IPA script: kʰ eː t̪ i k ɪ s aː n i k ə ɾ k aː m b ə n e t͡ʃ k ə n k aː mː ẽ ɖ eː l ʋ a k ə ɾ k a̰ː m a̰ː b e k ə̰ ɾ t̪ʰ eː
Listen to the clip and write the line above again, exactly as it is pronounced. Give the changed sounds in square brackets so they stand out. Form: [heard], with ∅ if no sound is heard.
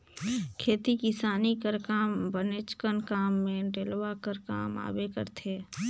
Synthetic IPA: kʰ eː t̪ i k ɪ s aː n i k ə ɾ k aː m b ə n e t͡ʃ k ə n k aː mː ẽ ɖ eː l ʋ a k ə ɾ k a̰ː m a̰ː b e k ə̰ ɾ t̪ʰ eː